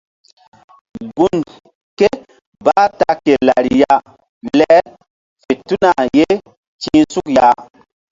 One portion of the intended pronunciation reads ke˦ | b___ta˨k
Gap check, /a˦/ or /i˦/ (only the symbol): a˦